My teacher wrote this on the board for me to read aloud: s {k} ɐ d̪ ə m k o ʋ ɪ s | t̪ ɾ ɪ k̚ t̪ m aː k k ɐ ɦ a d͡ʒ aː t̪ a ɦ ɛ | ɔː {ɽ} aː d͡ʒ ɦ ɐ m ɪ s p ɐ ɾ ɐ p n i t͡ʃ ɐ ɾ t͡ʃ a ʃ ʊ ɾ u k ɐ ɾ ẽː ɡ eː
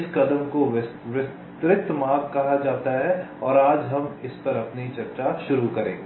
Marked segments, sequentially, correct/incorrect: correct, incorrect: ɾ

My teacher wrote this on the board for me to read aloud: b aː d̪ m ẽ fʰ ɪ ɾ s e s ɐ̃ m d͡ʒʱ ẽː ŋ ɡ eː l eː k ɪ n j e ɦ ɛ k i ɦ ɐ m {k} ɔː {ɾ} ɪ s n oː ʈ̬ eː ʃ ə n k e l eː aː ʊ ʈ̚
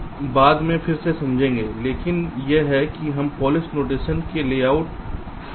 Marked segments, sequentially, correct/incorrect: incorrect: p, incorrect: l

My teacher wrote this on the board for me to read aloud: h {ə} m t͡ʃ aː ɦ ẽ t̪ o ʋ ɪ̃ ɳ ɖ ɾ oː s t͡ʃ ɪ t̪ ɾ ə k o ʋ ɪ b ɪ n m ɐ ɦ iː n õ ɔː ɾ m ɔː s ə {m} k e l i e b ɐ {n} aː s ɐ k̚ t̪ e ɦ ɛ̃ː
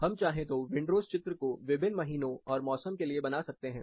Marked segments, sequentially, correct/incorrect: incorrect: ɐ, correct, correct

